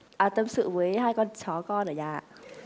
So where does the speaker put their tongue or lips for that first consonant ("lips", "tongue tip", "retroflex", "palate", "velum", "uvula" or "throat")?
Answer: throat